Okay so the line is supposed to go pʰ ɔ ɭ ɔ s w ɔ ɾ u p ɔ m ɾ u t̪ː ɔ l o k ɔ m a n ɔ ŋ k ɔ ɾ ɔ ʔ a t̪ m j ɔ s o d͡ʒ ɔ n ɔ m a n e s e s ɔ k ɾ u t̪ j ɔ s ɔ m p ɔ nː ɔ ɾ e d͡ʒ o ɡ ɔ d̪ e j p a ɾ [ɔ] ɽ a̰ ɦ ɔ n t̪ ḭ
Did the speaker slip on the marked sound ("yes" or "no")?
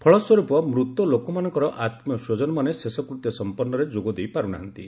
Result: yes